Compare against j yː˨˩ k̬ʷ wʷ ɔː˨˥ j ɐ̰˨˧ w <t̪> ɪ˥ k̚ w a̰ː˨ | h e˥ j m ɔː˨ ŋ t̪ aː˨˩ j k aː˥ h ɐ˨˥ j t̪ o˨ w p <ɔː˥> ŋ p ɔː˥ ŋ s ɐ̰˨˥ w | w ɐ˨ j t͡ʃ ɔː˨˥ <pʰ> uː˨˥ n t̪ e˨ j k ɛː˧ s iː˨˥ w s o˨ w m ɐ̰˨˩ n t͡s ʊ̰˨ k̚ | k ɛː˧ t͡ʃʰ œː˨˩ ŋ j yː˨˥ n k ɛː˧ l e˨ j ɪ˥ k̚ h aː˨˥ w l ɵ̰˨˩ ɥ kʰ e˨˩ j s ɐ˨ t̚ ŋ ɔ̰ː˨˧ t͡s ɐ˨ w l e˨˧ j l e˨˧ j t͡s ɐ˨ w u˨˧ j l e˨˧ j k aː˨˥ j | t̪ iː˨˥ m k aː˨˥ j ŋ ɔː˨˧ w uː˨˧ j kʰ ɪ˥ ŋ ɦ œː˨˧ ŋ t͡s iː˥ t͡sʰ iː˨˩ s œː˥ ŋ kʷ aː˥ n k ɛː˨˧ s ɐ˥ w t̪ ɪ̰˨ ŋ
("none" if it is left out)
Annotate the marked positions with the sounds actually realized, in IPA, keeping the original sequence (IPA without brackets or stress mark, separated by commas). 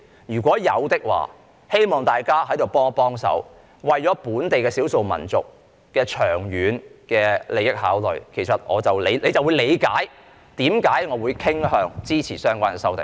t̪, ɔː˥, p